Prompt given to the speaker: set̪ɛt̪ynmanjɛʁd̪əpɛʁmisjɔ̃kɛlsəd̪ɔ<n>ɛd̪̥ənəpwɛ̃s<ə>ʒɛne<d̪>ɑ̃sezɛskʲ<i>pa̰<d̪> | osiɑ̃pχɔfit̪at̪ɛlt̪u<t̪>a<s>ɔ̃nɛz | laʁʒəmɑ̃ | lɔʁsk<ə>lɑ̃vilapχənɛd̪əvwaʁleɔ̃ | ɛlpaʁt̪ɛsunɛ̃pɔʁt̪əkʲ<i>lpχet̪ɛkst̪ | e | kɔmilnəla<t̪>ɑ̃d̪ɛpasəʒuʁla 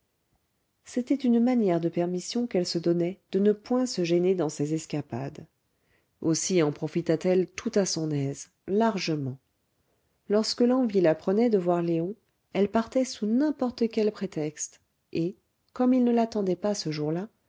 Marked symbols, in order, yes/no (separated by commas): yes, yes, yes, no, yes, yes, yes, yes, no, yes